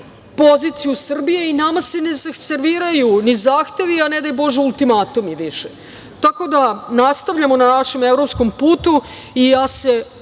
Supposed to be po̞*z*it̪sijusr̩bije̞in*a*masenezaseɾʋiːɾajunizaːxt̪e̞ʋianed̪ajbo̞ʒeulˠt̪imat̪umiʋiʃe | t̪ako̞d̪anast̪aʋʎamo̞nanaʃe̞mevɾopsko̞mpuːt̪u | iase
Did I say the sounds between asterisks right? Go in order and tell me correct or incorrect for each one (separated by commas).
correct, correct